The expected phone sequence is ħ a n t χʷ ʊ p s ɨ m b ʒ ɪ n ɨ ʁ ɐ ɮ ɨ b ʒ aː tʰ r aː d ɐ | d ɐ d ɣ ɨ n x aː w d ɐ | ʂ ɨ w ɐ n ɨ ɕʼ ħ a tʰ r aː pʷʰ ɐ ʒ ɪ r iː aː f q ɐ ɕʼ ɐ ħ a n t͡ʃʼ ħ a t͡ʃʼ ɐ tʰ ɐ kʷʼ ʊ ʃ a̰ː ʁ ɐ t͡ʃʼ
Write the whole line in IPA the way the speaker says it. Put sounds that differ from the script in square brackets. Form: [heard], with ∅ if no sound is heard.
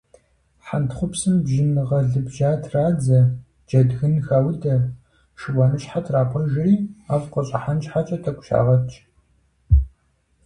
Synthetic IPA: ħ a n t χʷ ʊ p s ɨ m b ʒ ɪ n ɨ ʁ ɐ ɮ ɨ b ʒ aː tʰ r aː [d͡z] ɐ | [d͡ʒ] ɐ d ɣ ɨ n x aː w d ɐ | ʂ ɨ w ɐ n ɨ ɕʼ ħ a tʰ r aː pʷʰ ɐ ʒ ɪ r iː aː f q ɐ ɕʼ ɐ ħ a n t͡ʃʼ ħ a t͡ʃʼ ɐ tʰ ɐ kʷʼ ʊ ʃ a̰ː ʁ ɐ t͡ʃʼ